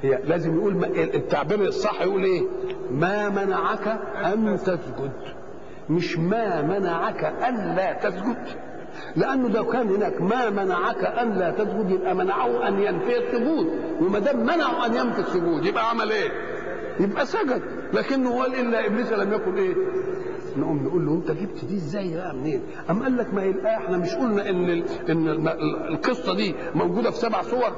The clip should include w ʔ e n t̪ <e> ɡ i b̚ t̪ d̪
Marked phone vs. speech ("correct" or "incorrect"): incorrect